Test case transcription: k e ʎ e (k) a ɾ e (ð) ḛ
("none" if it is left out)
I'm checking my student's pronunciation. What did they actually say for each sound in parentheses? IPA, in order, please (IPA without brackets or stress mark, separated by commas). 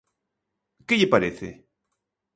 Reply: p, θ